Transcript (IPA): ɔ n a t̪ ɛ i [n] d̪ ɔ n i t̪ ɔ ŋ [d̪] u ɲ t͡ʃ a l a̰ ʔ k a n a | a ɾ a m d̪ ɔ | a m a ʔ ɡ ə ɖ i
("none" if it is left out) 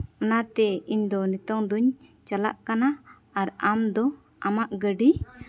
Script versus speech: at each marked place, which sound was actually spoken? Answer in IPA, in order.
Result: ɲ, d̪

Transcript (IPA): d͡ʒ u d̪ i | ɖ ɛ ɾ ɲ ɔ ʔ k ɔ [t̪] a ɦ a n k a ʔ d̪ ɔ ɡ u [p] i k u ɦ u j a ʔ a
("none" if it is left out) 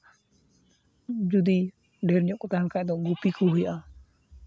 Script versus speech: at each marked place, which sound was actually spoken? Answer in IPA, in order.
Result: t̪, p

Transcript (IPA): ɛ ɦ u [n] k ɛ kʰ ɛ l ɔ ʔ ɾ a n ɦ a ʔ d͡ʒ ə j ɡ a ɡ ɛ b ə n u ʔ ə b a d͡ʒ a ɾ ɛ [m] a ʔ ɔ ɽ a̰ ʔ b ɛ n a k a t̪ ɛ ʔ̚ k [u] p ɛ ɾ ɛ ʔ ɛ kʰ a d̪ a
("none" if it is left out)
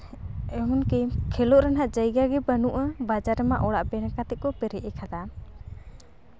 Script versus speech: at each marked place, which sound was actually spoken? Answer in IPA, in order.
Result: n, m, ɔ

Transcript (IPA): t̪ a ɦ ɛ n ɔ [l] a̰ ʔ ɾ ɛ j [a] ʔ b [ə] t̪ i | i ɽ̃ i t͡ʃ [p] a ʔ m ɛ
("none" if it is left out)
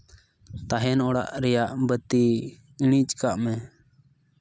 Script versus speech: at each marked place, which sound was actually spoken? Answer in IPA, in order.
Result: ɽ, a, ə, k

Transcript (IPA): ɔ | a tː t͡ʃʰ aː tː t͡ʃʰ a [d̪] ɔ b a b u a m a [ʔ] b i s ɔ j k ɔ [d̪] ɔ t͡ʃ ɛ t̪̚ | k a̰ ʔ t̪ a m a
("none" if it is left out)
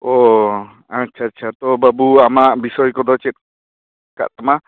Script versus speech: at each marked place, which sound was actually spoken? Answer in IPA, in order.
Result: t̪, ʔ, d̪

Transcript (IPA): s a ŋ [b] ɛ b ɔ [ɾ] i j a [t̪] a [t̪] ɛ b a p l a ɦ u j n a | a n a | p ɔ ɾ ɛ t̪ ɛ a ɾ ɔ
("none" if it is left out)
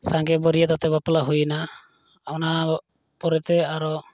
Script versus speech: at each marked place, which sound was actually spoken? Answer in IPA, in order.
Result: ɡ, ɾ, t̪, t̪

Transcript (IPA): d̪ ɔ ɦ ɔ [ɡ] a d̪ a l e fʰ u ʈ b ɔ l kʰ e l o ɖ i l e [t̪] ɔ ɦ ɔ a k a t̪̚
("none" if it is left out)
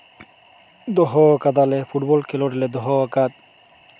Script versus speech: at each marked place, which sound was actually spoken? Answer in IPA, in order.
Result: k, d̪

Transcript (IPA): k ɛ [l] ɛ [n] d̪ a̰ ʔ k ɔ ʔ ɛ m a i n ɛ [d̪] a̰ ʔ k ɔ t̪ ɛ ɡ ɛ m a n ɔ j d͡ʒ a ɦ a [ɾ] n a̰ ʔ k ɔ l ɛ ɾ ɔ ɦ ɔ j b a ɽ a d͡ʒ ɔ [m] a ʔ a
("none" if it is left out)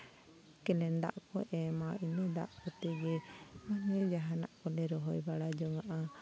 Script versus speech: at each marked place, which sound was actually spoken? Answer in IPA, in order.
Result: l, n, d̪, none, ŋ

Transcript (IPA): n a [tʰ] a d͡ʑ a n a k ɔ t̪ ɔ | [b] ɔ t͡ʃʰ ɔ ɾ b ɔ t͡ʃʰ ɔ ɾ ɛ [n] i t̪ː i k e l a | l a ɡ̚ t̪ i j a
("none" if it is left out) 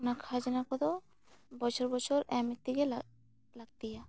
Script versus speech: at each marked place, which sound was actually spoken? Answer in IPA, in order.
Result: kʰ, b, m

